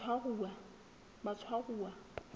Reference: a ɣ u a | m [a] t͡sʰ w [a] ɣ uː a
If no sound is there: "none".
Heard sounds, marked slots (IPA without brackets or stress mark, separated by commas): a, a